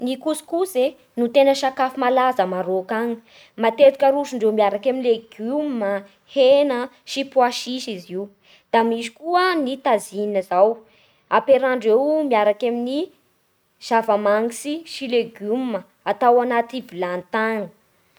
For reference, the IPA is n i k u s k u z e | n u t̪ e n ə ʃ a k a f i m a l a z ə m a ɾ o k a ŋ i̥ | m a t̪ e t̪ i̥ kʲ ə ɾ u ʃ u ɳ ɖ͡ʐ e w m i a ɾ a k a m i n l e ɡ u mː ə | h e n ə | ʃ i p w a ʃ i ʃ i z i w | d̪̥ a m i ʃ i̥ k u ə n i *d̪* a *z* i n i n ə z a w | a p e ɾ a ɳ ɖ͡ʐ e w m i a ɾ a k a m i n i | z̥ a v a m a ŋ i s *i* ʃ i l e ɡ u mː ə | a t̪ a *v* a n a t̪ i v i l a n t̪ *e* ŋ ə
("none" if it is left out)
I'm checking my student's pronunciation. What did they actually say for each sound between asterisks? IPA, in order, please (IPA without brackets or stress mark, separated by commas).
t̪, z, i, w, a